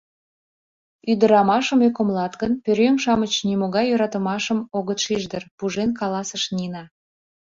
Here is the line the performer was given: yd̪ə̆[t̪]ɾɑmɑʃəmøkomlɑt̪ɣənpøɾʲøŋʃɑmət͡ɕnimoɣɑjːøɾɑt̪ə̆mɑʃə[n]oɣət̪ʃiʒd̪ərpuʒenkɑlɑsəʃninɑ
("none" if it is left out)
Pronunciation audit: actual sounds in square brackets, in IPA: none, m

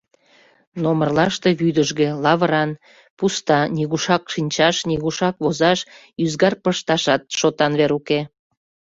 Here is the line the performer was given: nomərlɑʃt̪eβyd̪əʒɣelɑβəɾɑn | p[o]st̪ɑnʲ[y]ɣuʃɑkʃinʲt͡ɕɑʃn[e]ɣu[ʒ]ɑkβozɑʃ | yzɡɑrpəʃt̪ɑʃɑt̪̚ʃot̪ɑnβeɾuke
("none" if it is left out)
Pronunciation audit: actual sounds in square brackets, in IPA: u, i, i, ʃ

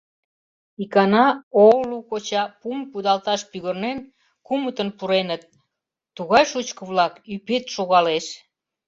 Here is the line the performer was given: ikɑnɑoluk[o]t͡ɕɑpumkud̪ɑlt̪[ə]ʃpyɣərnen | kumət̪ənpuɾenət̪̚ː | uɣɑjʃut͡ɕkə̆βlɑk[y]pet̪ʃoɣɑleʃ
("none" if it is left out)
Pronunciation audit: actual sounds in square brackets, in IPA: o, ɑ, y

